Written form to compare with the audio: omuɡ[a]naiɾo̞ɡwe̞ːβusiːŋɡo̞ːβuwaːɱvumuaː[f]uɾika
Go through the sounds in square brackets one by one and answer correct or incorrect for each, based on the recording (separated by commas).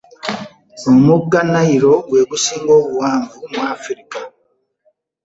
correct, correct